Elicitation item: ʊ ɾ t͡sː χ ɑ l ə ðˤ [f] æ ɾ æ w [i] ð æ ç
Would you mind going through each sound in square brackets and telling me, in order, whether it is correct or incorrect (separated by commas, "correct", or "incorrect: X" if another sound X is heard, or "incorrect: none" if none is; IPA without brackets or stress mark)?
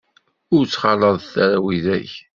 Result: incorrect: θ, correct